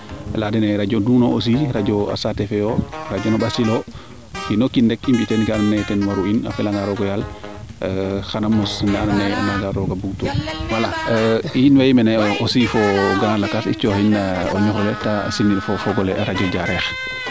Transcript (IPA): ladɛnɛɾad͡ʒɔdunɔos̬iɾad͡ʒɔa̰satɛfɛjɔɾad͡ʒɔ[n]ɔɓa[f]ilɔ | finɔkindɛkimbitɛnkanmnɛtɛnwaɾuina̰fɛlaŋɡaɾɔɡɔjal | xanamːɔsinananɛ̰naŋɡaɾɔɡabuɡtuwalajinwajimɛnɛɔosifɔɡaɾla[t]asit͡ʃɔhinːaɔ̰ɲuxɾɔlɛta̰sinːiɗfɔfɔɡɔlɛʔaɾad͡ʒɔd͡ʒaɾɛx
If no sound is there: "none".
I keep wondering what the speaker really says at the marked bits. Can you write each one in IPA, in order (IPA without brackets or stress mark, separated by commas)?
n, s, k